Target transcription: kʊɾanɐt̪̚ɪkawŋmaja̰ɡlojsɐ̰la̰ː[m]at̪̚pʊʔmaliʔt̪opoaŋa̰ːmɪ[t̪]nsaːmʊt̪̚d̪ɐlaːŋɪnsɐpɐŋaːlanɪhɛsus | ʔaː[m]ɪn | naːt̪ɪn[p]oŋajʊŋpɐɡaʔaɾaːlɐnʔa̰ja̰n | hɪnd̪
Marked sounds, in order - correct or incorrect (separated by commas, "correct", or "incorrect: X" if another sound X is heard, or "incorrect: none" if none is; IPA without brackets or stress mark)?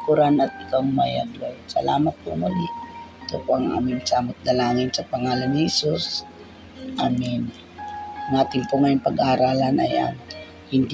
correct, incorrect: none, correct, correct